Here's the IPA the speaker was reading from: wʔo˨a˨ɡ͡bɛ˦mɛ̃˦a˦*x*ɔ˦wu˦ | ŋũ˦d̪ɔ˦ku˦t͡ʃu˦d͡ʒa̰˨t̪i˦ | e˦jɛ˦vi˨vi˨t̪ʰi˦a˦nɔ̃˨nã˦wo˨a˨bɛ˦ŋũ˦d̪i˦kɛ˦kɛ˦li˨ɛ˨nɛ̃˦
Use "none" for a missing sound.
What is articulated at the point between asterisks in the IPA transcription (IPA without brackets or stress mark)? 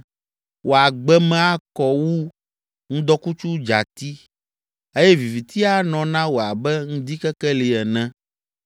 k